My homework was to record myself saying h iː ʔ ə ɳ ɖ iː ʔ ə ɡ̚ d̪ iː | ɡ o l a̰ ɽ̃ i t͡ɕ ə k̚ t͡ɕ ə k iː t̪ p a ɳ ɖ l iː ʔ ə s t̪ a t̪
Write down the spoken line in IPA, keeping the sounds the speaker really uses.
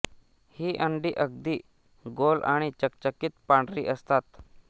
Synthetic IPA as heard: h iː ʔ ə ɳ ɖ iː ʔ ə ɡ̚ d̪ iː | ɡ o l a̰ ɽ̃ i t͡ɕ ə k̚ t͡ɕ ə k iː t̪ p a ɳ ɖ ɾ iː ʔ ə s t̪ a t̪